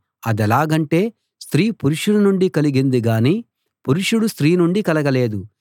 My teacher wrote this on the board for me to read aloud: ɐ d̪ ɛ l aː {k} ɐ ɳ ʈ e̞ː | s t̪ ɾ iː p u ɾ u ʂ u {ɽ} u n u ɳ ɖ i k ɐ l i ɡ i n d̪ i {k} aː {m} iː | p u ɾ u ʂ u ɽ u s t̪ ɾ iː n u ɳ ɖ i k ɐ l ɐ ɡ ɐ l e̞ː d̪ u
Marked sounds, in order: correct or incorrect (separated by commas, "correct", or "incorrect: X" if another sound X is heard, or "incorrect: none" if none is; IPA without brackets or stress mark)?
incorrect: ɡ, correct, incorrect: ɡ, incorrect: n